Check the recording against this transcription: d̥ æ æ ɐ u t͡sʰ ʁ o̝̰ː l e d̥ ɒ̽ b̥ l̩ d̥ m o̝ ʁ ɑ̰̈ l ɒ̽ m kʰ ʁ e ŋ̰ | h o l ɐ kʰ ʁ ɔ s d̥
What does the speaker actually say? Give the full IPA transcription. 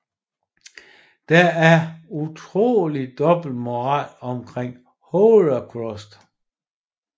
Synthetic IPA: d̥ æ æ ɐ u t͡sʰ ʁ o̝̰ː l i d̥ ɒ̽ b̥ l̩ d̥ m o̝ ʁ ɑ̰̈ l ɒ̽ m kʰ ʁ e ŋ̰ | h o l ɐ kʰ ʁ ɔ s d̥